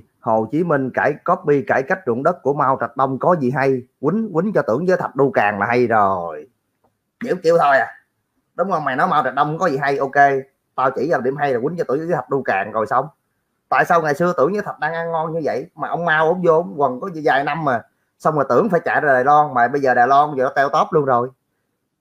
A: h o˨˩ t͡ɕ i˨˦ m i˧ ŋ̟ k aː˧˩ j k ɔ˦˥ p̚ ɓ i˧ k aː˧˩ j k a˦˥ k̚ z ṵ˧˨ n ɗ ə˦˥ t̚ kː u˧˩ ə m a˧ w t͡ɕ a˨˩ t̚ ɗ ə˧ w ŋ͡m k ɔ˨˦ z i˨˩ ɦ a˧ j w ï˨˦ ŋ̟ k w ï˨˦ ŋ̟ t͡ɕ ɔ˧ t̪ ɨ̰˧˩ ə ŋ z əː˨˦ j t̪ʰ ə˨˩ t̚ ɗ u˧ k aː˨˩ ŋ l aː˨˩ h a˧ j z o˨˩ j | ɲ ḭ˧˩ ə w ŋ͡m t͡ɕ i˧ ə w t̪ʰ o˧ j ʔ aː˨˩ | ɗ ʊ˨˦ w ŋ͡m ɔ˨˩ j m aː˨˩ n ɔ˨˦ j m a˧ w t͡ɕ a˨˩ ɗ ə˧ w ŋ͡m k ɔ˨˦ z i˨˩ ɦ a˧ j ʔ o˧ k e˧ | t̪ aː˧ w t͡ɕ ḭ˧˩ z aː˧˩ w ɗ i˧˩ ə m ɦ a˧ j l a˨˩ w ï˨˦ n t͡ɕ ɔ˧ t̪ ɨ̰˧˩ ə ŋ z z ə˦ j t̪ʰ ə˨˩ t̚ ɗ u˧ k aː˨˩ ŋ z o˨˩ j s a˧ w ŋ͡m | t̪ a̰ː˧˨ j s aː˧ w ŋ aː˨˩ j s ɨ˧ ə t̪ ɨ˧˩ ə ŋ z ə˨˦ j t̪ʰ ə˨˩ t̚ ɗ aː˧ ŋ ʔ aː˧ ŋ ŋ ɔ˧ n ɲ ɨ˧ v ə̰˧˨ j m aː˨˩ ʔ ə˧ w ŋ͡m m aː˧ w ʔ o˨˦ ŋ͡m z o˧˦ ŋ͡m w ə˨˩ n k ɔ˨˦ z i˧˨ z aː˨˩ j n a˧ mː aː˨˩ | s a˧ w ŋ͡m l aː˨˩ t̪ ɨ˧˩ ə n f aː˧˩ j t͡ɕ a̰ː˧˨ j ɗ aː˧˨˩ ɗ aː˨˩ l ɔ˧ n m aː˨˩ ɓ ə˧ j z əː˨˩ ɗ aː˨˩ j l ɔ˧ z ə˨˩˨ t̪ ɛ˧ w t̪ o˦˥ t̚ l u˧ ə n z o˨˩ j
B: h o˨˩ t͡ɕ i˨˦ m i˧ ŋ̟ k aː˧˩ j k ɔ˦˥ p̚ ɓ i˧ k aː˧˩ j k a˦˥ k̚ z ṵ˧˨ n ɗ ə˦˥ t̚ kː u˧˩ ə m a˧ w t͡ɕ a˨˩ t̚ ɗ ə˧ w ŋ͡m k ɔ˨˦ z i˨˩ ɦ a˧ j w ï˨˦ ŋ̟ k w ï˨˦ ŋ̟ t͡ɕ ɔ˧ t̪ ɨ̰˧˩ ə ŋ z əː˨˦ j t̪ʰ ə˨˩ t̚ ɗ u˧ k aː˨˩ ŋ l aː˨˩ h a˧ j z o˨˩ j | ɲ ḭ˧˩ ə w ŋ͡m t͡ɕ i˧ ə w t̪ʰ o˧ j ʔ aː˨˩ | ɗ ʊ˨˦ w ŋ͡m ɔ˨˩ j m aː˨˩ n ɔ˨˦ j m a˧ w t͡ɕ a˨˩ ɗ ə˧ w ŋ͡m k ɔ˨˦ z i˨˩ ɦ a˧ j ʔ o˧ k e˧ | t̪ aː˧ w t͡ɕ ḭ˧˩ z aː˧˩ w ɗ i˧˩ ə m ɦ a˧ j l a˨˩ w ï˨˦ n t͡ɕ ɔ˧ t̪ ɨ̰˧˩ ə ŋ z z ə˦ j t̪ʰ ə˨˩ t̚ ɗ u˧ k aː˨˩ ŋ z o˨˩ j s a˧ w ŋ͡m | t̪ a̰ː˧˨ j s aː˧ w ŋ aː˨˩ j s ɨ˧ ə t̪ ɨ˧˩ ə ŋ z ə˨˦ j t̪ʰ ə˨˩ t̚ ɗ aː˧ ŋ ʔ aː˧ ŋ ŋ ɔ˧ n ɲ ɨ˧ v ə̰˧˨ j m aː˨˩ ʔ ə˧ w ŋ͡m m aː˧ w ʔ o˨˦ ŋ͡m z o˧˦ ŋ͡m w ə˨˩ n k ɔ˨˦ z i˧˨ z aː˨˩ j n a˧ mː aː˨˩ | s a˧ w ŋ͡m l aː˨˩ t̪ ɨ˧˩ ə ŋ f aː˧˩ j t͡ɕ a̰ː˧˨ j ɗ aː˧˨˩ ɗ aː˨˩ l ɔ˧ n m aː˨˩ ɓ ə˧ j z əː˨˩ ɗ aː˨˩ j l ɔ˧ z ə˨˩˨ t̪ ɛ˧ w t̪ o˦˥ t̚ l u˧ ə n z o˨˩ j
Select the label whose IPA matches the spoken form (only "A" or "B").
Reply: B